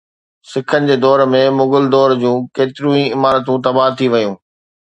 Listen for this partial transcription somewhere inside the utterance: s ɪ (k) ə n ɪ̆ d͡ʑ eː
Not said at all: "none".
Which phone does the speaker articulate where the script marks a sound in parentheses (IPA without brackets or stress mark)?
kʰ